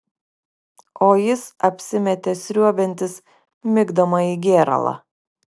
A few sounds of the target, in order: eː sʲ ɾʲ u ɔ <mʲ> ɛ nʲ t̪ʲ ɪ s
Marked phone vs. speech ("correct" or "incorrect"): incorrect